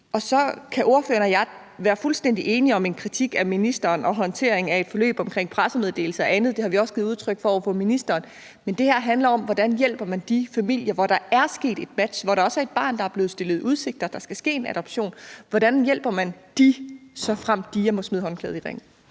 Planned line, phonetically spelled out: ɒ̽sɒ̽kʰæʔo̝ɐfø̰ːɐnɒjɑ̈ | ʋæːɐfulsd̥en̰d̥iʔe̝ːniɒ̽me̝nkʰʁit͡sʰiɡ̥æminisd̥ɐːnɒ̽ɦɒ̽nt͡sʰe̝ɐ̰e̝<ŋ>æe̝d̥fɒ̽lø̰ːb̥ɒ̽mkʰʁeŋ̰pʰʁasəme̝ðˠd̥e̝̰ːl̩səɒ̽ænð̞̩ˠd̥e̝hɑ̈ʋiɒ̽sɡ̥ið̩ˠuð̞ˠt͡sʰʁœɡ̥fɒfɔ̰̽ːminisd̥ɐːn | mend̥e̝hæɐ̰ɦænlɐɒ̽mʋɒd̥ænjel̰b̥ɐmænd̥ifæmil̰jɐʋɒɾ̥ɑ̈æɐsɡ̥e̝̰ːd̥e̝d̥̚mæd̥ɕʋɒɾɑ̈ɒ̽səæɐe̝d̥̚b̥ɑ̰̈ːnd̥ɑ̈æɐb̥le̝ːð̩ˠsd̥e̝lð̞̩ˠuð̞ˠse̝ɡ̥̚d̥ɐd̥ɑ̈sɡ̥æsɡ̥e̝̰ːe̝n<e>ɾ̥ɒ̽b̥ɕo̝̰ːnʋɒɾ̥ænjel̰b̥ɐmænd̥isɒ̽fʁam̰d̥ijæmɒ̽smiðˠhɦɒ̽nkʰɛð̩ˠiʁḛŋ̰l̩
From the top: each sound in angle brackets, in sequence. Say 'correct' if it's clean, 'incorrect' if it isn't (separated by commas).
correct, incorrect